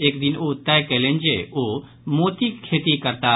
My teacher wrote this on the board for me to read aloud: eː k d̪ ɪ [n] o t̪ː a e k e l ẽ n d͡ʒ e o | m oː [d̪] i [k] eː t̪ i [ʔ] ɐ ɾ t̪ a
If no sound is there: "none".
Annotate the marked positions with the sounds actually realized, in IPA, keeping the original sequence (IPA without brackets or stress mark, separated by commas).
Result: n, t̪, kʰ, k